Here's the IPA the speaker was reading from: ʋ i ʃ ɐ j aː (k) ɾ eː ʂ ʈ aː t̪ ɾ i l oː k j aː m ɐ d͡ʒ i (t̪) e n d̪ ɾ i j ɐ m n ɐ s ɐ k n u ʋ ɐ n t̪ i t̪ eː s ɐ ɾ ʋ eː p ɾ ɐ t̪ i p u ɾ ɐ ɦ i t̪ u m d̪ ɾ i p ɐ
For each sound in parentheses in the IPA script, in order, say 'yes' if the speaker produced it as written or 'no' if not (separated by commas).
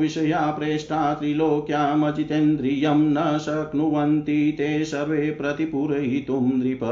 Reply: no, yes